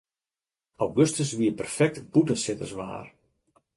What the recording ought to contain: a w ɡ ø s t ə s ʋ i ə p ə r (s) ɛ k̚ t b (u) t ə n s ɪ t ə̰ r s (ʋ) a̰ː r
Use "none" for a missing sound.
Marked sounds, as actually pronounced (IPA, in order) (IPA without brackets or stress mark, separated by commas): f, u, ʋ